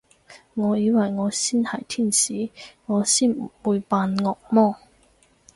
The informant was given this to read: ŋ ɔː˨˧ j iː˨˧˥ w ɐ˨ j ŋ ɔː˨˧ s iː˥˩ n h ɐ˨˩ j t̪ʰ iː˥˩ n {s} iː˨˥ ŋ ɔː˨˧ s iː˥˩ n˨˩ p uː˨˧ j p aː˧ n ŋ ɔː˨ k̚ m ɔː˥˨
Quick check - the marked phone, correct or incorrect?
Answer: correct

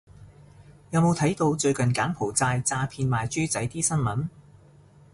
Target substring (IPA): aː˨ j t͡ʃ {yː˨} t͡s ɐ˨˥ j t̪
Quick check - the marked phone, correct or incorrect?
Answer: incorrect: yː˥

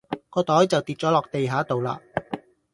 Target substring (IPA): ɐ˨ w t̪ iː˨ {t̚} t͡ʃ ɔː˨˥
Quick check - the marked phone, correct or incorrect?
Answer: correct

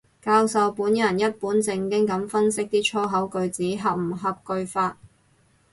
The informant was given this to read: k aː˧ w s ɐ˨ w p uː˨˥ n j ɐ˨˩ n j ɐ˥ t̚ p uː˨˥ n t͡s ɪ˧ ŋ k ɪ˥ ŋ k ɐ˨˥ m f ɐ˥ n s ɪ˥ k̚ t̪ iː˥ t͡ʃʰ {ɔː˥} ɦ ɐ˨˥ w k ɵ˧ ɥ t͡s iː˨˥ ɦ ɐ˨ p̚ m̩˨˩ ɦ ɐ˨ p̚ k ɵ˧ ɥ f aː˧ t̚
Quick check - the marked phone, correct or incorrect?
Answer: correct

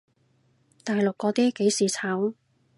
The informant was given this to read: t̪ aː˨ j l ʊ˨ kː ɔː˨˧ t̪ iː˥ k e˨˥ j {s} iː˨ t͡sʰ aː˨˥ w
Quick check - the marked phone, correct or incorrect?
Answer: correct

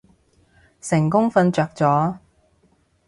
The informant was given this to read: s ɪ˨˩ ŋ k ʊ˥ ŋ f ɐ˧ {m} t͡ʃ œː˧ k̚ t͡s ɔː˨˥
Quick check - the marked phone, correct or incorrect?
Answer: incorrect: n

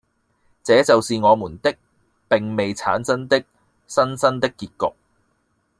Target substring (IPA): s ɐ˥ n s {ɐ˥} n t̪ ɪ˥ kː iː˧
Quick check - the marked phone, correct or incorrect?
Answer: correct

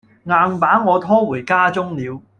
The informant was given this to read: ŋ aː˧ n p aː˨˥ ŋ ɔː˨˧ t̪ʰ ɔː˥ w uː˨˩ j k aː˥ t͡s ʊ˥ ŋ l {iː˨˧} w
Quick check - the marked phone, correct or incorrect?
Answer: correct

